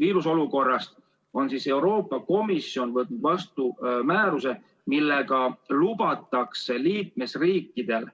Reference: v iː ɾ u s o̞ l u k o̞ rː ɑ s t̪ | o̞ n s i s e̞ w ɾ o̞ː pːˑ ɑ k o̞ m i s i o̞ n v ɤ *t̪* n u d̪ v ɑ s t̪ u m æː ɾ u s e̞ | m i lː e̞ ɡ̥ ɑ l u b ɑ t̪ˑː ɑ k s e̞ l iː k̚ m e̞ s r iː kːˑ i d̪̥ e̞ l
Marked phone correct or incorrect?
correct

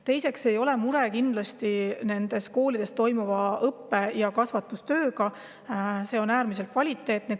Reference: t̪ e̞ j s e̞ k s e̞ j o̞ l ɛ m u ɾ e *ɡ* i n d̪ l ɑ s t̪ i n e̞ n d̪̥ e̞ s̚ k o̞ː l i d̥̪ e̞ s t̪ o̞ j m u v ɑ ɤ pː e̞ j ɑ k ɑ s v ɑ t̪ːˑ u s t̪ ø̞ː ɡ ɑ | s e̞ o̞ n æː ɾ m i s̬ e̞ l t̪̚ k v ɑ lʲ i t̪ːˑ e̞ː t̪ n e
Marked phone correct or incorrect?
incorrect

